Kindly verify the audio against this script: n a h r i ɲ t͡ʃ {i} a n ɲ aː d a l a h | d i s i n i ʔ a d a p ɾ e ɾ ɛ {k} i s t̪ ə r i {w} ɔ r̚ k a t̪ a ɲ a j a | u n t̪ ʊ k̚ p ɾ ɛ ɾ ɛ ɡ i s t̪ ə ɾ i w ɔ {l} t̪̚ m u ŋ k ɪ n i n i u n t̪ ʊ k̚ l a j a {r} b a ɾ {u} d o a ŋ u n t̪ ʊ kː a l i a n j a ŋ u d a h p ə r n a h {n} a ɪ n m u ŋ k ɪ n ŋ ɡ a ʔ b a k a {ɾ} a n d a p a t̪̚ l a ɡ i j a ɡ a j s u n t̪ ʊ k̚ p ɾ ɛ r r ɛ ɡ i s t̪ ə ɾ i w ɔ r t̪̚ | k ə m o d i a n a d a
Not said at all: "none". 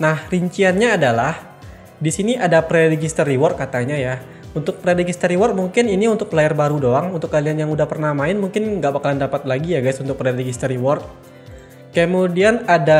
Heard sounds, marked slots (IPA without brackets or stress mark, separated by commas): i, ɡ, w, r, r, u, m, l